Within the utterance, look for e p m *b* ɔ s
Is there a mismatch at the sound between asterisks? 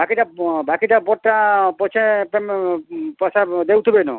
yes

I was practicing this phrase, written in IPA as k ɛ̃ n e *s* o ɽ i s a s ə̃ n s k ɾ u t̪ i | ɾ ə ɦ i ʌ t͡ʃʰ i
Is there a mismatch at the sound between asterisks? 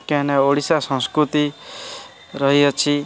yes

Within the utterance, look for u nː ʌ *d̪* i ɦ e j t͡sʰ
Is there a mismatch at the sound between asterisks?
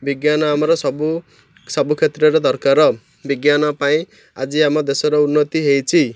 yes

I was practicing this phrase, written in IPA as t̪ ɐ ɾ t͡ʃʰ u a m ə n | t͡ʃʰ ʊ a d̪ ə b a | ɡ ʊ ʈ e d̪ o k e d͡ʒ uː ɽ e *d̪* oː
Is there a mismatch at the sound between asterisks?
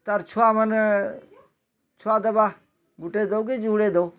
no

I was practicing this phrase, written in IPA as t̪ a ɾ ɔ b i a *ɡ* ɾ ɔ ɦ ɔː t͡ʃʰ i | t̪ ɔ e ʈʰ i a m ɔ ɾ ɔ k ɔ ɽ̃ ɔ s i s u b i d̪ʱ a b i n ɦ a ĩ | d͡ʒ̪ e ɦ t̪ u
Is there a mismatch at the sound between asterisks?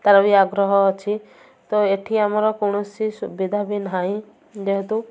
no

